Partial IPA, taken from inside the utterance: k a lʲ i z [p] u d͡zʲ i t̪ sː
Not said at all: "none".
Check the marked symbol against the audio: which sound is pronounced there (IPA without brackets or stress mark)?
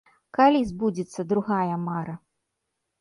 b